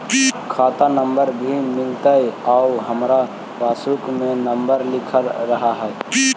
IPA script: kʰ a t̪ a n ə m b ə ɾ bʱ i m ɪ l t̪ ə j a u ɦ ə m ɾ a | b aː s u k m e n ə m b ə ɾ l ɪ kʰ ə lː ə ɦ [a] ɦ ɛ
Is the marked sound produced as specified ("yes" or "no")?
yes